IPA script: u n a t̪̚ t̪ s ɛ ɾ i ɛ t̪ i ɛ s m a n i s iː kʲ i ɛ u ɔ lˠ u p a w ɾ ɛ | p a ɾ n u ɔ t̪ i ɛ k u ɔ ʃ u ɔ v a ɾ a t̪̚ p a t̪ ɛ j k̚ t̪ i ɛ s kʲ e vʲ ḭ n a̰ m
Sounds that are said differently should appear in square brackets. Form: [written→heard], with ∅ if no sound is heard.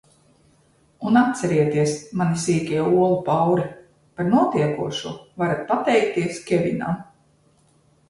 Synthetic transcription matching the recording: u n a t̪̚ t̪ s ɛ ɾ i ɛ t̪ i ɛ s m a n i s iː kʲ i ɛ u ɔ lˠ u p a w ɾ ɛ | p a ɾ n u ɔ t̪ i ɛ k u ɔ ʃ u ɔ v a ɾ a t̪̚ p a t̪ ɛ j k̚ t̪ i ɛ s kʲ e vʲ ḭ n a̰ m